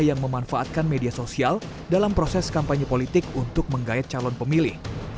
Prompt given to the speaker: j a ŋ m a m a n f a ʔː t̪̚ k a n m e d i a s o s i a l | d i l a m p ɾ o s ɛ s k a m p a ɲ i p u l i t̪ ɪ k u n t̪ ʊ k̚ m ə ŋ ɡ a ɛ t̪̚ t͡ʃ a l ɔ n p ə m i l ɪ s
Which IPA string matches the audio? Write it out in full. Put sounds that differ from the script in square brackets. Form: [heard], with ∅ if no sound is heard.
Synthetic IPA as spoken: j a ŋ m [ə] m a n f a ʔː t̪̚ k a n m e d i a s o s i a l | d [a] l a m p ɾ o s ɛ s k a m p a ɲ i p [o] l i t̪ ɪ k u n t̪ ʊ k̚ m ə ŋ ɡ a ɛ t̪̚ t͡ʃ a l ɔ n p ə m i l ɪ [h]